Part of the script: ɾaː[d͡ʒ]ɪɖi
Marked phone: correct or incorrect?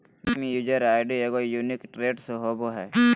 incorrect